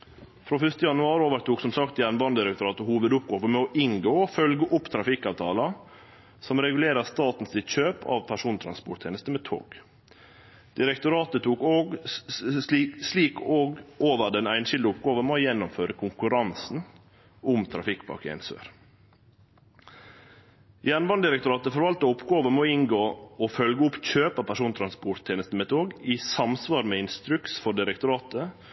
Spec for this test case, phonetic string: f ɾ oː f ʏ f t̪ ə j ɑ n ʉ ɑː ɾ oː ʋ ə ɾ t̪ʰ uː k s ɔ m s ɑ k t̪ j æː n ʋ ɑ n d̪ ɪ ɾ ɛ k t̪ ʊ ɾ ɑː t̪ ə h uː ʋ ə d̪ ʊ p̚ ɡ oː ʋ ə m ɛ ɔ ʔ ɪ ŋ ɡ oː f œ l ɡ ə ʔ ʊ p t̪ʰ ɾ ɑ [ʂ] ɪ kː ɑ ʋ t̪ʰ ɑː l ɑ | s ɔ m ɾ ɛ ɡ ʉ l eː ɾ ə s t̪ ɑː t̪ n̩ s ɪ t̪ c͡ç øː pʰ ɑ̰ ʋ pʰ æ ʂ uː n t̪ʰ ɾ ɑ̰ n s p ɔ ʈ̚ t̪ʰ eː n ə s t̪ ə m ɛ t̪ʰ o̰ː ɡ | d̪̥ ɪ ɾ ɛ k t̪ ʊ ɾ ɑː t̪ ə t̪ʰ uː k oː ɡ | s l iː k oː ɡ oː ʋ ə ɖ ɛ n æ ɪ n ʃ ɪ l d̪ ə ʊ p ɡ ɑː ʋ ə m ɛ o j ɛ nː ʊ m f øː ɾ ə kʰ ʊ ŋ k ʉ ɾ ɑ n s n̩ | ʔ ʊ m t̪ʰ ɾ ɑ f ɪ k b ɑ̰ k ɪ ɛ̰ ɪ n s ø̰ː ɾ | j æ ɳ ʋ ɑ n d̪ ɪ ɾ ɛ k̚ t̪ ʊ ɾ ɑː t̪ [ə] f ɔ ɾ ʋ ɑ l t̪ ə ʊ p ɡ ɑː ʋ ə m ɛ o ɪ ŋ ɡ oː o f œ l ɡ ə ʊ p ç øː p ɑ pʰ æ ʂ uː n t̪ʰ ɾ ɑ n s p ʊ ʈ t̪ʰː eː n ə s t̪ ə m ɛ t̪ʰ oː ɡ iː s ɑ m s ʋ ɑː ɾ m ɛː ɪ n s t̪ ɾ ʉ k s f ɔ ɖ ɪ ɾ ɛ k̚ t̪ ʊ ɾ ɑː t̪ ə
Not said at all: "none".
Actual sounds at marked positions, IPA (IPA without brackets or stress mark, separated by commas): f, ə